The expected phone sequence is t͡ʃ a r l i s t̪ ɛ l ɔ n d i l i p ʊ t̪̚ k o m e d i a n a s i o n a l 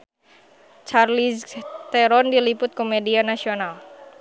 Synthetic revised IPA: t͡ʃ a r l i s t̪ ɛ ɾ ɔ n d i l i p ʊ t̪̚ k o m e d i a n a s i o n a l

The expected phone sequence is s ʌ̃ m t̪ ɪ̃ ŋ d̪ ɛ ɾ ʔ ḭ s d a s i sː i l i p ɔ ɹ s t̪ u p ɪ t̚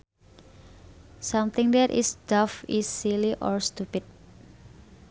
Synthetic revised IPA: s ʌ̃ m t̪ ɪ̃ ŋ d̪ ɛ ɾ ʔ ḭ s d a f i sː i l i ʔ ɔ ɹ s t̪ u p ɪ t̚

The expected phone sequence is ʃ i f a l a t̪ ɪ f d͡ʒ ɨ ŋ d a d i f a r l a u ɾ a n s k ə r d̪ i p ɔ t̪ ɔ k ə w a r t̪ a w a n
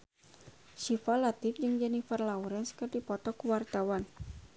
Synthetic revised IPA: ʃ i f a l a t̪ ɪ f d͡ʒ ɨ ŋ d͡ʒ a n i f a r l a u ɾ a n s k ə r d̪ i p ɔ t̪ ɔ k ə w a r t̪ a w a n

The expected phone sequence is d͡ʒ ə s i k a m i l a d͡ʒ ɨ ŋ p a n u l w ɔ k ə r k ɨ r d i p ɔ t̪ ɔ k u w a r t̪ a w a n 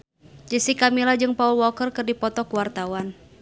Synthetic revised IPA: d͡ʒ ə s i k a m i l a d͡ʒ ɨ ŋ p a u l w ɔ k ə r k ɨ r d i p ɔ t̪ ɔ k u w a r t̪ a w a n

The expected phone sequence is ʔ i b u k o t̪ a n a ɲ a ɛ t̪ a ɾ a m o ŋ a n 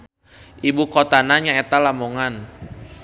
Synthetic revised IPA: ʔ i b u k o t̪ a n a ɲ a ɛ t̪ a l a m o ŋ a n

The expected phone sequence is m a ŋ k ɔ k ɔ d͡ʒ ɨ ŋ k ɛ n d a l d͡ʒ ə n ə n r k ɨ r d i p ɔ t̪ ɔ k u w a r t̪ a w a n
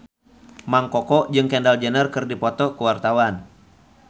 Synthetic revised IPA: m a ŋ k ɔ k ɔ d͡ʒ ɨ ŋ k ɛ n d a l d͡ʒ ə n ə r k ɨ r d i p ɔ t̪ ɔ k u w a r t̪ a w a n

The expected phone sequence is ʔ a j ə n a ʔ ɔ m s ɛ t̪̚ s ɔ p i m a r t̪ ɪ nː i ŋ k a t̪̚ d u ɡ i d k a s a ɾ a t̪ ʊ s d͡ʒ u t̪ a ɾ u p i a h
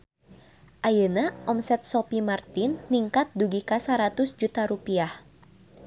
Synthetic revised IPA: ʔ a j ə n a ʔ ɔ m s ɛ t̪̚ s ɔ p i m a r t̪ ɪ nː i ŋ k a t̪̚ d u ɡ i k a s a ɾ a t̪ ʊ s d͡ʒ u t̪ a ɾ u p i a h

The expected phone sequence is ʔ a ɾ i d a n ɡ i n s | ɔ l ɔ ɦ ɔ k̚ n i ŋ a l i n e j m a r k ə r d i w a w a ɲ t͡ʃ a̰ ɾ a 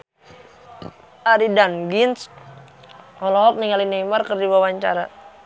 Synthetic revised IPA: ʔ a ɾ i d a n ɡ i n s | ɔ l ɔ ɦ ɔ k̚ n i ŋ a l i n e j m a r k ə r d i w a w a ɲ t͡ʃ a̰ ɾ a

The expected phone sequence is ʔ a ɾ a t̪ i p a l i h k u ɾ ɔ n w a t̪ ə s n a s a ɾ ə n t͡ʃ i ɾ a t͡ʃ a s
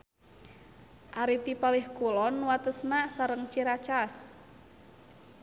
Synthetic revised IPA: ʔ a ɾ i t̪ i p a l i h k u l ɔ n w a t̪ ə s n a s a ɾ ə ŋ t͡ʃ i ɾ a t͡ʃ a s

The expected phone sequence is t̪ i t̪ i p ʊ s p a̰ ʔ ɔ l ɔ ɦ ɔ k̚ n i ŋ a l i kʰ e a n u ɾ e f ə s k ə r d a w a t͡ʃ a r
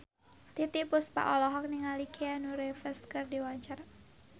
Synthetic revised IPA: t̪ i t̪ i p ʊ s p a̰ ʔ ɔ l ɔ ɦ ɔ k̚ n i ŋ a l i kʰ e a n u ɾ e f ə s k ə r d i w a t͡ʃ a r

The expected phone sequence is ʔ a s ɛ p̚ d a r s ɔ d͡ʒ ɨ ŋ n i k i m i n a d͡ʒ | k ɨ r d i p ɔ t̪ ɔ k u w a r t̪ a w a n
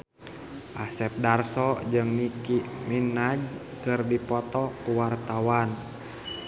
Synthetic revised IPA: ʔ a s ɛ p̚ d a r s ɔ d͡ʒ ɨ ŋ n i k i m i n a d͡ʒ | k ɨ r d i p ɔ t̪ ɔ k u w a r t̪ a w a n

